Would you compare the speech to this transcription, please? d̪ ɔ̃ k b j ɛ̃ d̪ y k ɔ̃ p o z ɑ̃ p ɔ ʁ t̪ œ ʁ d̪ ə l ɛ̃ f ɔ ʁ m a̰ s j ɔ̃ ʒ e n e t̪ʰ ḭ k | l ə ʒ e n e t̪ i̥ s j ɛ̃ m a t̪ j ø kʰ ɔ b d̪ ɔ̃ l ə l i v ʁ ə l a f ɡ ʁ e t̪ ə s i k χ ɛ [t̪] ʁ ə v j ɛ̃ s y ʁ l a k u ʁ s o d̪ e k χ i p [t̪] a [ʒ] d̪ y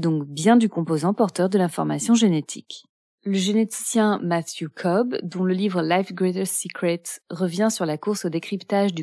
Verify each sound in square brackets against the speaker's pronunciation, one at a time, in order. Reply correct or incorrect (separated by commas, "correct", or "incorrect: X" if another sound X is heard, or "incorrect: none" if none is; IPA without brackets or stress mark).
correct, correct, correct